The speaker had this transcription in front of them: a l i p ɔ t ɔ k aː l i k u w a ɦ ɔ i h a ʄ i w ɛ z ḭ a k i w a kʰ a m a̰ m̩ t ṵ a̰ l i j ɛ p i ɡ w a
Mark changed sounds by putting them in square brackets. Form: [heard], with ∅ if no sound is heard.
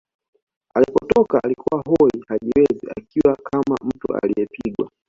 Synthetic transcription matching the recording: a l i p ɔ t ɔ k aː l i k u w a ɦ ɔ i h a ʄ i w ɛ z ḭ a k i w a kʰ a m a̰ m̩ t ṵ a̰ l i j ɛ p i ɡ w a